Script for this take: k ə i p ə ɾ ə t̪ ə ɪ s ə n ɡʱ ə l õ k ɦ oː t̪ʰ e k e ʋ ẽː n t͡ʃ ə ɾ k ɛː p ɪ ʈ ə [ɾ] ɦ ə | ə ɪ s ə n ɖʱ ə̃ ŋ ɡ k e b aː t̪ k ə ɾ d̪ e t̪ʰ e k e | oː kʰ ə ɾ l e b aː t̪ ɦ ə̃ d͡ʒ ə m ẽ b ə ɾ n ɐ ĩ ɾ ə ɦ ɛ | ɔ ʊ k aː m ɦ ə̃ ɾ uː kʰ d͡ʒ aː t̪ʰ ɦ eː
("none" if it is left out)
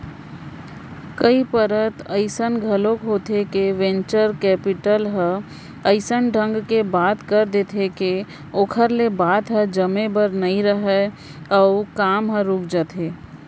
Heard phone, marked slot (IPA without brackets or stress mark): l